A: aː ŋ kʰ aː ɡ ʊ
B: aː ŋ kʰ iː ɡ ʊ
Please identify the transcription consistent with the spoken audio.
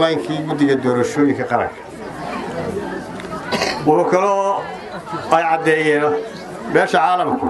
B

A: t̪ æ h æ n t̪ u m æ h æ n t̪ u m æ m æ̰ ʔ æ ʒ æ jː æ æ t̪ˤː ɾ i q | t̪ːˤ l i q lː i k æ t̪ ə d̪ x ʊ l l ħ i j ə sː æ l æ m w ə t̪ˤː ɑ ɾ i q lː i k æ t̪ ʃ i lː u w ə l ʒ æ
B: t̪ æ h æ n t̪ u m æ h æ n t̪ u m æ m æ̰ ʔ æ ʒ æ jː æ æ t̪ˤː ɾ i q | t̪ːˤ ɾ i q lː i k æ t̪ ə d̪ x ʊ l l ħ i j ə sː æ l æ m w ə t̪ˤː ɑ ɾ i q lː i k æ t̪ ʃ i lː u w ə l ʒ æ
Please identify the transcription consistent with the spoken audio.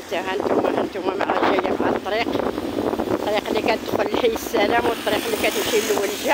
B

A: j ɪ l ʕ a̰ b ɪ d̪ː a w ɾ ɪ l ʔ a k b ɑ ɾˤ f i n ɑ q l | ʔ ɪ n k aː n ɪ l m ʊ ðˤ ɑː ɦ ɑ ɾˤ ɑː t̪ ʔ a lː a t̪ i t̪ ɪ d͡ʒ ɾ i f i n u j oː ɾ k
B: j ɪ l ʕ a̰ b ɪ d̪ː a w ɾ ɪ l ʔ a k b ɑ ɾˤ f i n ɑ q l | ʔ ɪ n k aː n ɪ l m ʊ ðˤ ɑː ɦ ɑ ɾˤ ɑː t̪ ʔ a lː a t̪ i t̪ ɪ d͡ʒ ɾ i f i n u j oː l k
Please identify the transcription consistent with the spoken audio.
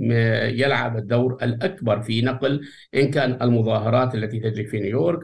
A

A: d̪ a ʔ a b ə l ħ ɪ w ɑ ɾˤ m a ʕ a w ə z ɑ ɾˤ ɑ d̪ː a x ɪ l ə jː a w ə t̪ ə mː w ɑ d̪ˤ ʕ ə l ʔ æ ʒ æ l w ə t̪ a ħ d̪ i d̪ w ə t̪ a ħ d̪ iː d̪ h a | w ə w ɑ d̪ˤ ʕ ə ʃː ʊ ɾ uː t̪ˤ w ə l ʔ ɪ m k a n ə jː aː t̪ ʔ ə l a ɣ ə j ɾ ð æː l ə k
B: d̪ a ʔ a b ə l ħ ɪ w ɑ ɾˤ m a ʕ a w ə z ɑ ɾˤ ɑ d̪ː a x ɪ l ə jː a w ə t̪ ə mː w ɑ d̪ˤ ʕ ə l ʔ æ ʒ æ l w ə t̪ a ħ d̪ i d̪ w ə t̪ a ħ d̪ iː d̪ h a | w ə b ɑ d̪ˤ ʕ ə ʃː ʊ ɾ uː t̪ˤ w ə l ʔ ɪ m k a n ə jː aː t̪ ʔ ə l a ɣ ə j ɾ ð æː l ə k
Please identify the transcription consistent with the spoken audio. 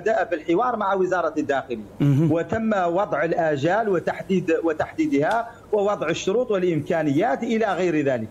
A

